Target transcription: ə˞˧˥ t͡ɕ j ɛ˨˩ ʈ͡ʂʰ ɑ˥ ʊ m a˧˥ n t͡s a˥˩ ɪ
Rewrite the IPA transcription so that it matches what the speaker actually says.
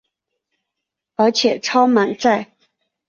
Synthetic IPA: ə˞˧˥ t͡ɕʰ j ɛ˨˩ ʈ͡ʂʰ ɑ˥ ʊ m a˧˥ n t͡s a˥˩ ɪ